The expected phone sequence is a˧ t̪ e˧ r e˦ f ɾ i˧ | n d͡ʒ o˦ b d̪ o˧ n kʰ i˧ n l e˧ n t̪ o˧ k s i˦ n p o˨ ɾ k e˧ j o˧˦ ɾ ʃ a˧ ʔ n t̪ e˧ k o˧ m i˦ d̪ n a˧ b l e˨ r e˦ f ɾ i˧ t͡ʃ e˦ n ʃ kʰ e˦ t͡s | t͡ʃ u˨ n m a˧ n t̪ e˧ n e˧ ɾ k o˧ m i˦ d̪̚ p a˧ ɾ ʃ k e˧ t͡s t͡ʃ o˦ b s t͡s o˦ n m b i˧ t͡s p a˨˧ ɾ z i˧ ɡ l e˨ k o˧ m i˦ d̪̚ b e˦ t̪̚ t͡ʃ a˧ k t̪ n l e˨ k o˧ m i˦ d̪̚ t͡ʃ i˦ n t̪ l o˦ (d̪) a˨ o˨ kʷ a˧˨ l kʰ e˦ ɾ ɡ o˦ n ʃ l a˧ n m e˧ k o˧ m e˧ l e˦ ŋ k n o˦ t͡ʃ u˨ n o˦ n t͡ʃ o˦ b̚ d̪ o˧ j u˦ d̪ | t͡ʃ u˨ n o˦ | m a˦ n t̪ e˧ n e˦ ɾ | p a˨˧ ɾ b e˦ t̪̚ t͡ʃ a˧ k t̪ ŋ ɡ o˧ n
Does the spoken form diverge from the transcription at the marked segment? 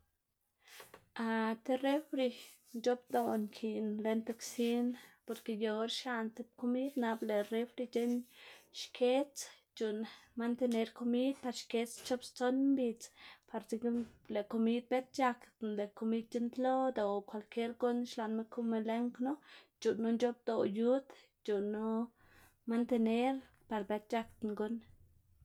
no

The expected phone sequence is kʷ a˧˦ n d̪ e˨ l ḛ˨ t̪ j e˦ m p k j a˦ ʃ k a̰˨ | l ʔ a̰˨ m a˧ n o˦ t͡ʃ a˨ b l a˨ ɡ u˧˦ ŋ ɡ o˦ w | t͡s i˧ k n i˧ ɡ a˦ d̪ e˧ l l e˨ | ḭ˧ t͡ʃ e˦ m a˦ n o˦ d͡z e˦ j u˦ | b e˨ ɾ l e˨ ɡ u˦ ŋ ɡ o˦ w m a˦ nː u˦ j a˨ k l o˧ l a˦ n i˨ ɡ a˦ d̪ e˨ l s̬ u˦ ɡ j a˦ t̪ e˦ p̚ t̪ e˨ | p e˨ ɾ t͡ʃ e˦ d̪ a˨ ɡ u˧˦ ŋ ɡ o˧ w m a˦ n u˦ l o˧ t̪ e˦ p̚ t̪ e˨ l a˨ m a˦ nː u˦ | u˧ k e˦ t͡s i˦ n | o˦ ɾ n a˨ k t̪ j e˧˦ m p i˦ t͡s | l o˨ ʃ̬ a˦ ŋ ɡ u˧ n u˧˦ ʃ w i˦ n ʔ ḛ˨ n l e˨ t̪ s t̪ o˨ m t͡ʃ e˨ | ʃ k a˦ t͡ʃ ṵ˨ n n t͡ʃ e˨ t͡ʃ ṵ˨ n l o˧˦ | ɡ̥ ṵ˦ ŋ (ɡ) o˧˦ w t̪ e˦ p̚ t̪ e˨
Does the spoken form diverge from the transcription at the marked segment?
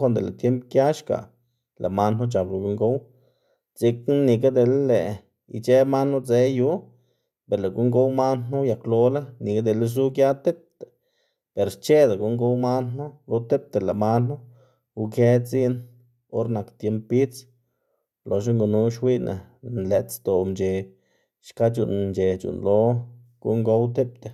no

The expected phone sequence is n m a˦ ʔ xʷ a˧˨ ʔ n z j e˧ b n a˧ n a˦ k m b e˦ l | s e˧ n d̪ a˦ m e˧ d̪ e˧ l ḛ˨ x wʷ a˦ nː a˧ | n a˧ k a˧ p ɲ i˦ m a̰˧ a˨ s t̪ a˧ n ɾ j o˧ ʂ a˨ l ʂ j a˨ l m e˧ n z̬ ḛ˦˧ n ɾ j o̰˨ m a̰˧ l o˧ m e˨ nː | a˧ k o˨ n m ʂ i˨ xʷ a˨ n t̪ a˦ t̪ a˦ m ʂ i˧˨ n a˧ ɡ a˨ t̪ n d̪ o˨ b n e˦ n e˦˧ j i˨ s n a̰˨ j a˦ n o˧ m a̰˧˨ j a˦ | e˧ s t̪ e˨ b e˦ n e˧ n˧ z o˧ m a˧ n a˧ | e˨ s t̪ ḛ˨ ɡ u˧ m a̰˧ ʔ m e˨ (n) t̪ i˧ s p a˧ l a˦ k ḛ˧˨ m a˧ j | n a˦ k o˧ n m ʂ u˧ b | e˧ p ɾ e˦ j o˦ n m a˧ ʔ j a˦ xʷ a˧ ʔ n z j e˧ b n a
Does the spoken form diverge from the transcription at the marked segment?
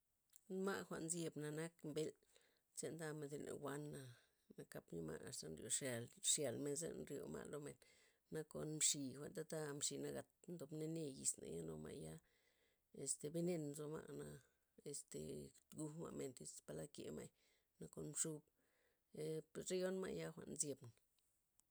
no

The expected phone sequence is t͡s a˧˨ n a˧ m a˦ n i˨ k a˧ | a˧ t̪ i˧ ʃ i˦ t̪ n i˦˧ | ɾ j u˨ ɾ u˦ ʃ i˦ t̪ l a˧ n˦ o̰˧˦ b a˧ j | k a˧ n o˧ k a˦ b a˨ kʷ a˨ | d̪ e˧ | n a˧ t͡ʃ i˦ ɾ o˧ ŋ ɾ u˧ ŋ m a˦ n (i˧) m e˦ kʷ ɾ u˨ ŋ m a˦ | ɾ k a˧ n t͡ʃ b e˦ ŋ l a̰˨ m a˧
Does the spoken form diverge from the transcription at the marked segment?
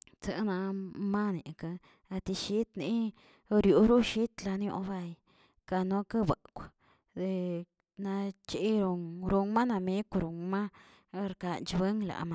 yes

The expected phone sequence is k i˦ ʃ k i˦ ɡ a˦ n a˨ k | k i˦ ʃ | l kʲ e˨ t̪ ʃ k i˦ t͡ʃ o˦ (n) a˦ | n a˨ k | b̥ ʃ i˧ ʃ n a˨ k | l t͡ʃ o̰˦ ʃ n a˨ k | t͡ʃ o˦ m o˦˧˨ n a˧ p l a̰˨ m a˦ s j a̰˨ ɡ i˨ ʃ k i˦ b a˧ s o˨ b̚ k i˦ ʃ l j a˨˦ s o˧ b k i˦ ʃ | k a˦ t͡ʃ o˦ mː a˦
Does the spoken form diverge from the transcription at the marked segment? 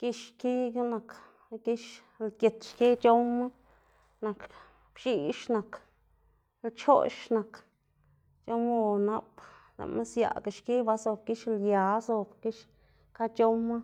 yes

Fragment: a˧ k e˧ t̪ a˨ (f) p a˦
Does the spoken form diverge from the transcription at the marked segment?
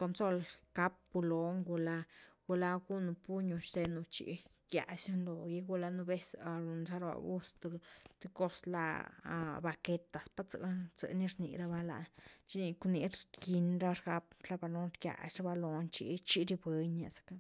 yes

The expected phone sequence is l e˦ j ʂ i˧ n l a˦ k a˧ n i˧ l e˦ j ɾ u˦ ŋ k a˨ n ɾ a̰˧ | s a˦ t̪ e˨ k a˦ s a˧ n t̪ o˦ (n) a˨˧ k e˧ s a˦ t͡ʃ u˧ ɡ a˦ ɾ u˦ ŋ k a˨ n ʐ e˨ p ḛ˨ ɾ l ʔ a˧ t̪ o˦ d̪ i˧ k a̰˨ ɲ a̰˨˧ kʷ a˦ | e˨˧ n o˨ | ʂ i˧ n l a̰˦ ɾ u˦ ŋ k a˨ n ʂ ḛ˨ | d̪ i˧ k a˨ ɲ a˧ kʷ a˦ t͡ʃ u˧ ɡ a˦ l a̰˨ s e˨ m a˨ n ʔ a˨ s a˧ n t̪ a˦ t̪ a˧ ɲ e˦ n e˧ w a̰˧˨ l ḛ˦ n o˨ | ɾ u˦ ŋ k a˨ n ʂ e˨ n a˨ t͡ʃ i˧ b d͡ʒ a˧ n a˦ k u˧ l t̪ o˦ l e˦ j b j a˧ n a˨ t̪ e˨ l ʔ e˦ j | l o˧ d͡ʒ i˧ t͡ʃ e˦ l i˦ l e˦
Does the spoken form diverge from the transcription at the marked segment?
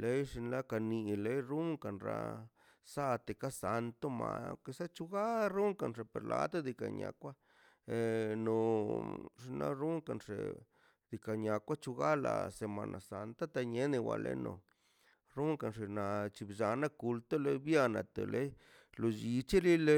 yes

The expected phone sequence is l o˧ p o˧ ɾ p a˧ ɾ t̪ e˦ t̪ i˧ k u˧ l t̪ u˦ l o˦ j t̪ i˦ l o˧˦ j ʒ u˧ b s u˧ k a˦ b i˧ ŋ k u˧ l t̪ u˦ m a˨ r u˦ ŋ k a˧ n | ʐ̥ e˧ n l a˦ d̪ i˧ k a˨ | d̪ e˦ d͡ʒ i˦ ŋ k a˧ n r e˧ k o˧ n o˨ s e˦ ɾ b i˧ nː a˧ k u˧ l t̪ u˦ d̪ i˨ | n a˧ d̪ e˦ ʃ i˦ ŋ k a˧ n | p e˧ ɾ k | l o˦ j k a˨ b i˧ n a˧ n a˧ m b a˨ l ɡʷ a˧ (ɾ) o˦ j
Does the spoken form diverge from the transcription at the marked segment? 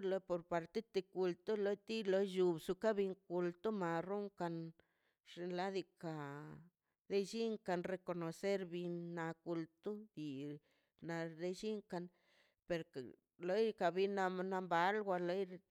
yes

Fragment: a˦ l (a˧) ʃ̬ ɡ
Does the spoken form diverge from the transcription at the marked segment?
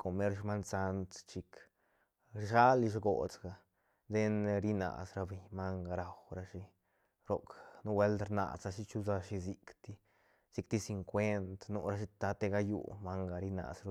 yes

